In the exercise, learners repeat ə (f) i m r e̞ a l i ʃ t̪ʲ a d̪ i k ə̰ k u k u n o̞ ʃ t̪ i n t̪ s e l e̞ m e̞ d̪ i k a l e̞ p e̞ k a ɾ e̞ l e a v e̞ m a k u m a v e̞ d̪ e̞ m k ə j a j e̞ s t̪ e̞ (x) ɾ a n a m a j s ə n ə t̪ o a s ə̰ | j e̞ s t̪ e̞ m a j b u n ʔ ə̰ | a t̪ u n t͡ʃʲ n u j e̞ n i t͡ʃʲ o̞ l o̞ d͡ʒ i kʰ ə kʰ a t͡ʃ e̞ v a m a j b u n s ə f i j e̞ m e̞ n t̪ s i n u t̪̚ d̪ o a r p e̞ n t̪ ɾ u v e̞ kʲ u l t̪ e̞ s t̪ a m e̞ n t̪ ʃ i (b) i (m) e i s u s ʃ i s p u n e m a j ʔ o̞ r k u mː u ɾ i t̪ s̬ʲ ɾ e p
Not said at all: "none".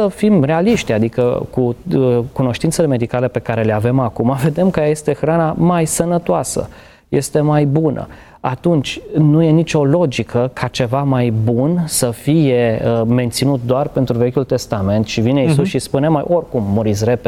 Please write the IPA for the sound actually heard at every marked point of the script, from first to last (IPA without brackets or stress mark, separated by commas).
f, x, v, n